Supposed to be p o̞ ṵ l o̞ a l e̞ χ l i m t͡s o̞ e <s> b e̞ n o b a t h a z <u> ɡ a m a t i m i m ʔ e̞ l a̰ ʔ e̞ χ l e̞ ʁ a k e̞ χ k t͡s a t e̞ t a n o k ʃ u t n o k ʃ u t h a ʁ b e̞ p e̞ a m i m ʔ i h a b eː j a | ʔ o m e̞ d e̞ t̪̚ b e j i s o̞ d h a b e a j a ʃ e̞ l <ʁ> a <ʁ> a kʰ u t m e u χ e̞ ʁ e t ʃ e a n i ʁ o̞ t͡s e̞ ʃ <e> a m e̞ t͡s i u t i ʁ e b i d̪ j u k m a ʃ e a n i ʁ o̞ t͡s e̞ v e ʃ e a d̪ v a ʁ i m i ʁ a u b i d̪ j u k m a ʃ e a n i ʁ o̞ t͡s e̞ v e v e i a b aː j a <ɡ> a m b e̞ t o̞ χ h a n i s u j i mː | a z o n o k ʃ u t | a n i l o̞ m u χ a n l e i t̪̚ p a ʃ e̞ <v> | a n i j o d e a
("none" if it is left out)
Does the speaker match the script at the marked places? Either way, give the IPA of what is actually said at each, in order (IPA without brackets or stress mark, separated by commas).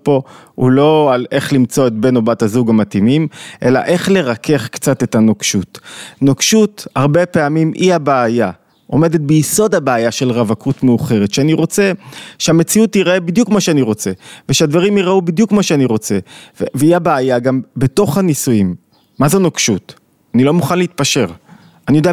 t, u, ʁ, v, e, ɡ, ʁ